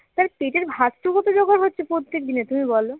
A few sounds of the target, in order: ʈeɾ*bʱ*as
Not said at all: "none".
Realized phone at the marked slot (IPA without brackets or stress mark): bʱ